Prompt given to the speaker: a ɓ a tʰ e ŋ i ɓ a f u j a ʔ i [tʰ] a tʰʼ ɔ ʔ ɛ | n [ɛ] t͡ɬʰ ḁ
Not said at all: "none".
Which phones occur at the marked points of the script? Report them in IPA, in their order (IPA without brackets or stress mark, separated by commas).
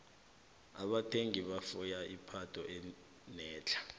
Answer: pʰ, ɛː